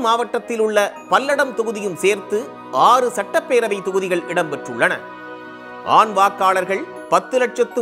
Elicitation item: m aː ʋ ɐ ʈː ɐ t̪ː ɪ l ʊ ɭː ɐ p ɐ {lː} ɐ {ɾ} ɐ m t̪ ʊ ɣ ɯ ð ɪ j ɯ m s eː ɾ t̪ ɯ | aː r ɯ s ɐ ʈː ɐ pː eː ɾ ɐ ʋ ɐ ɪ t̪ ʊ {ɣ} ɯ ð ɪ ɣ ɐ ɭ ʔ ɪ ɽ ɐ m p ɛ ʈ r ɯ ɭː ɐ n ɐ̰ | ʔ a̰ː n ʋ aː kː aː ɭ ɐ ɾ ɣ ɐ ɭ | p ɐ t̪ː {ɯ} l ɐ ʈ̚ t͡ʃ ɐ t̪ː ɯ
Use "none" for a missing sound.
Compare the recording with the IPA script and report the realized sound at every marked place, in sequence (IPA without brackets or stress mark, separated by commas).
lː, ɽ, ɣ, ɯ